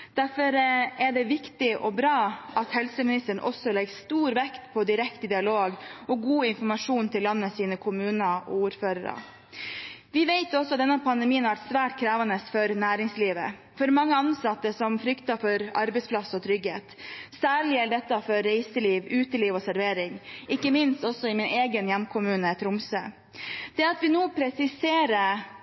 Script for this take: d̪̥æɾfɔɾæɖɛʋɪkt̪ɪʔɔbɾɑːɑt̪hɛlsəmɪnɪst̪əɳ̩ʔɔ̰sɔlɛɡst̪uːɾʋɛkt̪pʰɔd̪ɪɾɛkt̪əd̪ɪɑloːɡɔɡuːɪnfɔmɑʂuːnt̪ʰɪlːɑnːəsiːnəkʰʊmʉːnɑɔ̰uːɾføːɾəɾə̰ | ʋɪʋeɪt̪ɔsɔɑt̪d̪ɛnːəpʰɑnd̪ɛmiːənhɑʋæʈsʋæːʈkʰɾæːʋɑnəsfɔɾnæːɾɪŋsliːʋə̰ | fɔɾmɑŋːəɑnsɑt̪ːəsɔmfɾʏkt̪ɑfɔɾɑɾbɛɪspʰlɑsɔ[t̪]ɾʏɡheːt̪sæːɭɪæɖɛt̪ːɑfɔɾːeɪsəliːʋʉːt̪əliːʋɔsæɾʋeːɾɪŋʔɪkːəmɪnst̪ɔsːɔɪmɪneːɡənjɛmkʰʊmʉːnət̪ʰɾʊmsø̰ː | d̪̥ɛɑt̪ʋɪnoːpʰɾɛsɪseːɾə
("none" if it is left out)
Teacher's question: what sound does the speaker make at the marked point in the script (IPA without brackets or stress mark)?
t̪ʰ